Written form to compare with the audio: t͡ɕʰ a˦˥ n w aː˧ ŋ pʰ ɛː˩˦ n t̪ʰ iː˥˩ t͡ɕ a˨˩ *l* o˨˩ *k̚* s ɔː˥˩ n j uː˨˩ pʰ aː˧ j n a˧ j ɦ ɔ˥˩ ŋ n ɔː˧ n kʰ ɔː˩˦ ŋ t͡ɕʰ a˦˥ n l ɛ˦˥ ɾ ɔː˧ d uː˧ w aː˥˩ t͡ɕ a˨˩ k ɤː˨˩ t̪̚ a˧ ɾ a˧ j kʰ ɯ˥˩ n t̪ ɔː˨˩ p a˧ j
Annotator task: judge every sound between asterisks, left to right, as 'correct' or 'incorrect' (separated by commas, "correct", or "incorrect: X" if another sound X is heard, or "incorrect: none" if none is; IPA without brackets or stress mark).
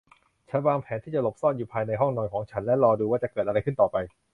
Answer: correct, incorrect: p̚